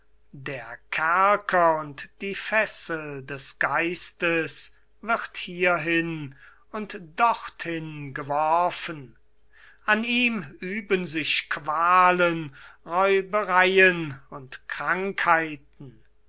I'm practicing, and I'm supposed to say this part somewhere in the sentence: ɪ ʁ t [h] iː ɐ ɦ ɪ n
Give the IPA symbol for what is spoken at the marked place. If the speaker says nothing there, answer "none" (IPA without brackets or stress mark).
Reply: h